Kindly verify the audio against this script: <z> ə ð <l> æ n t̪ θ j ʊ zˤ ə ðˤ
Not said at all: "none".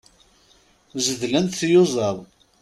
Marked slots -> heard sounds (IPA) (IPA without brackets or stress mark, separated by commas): z, l